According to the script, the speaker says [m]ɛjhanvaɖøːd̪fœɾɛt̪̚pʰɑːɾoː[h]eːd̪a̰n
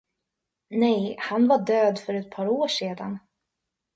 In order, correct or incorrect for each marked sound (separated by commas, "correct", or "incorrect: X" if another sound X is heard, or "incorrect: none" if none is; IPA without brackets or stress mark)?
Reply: incorrect: n, incorrect: ʂ